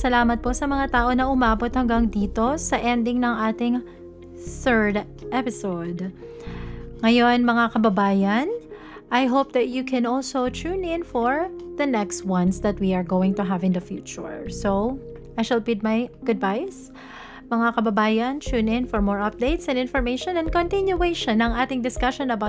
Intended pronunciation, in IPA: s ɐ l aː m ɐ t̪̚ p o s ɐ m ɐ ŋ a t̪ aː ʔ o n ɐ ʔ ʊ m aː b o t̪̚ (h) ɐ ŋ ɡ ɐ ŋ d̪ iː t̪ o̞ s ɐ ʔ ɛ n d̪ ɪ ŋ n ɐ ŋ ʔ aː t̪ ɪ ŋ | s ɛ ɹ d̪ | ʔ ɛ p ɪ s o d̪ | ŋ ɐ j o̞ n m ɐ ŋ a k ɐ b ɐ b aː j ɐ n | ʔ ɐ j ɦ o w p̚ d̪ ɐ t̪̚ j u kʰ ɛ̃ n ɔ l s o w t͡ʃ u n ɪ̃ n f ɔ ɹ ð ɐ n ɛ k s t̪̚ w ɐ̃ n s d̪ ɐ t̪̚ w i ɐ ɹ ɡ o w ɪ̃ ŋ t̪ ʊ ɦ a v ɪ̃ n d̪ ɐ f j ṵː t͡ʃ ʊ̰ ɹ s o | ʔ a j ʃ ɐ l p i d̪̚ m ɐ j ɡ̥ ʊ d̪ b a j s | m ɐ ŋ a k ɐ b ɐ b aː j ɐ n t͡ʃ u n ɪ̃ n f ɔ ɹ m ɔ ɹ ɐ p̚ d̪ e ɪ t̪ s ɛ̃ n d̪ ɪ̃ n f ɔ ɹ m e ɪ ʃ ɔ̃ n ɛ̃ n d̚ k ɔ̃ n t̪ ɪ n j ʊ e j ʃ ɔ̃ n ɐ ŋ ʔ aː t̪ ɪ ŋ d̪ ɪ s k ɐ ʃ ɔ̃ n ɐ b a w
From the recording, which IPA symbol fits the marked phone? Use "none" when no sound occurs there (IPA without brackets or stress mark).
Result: h